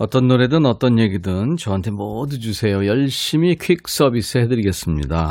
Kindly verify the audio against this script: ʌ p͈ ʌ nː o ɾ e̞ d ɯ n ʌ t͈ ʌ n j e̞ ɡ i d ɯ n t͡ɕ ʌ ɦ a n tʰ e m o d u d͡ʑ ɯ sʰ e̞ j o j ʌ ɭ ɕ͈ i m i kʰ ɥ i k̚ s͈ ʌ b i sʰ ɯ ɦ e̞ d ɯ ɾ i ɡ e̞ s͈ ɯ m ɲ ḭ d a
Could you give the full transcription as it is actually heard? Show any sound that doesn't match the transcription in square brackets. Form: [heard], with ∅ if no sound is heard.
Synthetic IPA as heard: ʌ [t͈] ʌ nː o ɾ e̞ d ɯ n ʌ t͈ ʌ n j e̞ ɡ i d ɯ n t͡ɕ ʌ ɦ a n tʰ e m o d u d͡ʑ [u] sʰ e̞ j o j ʌ ɭ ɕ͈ i m i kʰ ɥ i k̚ s͈ ʌ b i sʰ ɯ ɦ e̞ d ɯ ɾ i ɡ e̞ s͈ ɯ m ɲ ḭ d a